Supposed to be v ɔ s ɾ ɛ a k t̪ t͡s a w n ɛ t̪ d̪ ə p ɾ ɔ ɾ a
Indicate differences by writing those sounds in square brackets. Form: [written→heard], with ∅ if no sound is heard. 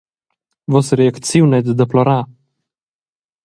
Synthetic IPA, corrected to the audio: v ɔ s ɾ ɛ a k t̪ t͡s [a→i] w n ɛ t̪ d̪ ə p [ɾ→l] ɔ ɾ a